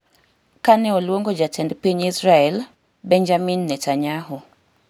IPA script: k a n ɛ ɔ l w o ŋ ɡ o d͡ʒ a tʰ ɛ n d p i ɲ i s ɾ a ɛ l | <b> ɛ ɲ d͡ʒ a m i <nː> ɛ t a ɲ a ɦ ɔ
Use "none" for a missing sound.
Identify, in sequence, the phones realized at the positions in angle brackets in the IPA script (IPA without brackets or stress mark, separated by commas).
b, nː